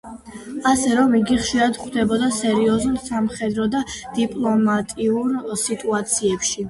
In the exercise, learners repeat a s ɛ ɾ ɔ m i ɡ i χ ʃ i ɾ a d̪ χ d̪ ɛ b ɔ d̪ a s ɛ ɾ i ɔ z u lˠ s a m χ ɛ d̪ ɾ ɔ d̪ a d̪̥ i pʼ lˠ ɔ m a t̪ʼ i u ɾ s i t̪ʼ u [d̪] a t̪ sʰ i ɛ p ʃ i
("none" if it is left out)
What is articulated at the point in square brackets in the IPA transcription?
none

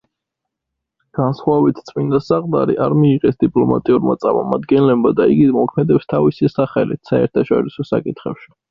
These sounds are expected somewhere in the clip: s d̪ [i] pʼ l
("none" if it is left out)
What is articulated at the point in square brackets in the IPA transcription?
i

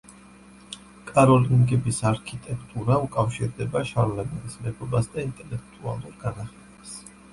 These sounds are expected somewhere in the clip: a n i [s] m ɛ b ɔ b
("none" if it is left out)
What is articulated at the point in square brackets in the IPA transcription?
s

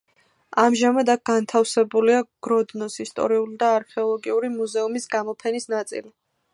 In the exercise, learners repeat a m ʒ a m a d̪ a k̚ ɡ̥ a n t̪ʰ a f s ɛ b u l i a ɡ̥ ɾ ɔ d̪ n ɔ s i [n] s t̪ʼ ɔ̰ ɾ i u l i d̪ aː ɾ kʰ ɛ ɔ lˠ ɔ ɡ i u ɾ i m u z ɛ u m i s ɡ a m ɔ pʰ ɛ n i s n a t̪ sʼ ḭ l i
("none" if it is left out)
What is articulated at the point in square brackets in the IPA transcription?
none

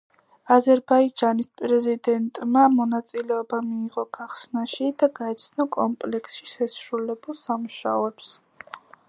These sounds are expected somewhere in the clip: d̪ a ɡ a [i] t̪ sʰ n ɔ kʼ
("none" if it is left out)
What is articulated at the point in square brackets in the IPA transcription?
ɛ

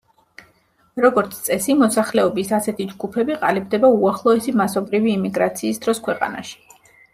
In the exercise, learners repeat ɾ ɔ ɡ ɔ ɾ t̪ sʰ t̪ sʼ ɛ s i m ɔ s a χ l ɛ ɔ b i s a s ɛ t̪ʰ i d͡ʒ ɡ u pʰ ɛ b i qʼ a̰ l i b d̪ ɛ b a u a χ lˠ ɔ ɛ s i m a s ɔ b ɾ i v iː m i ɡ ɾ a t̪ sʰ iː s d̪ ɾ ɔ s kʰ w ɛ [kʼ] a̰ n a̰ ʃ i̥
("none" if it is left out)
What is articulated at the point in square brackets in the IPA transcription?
qʼ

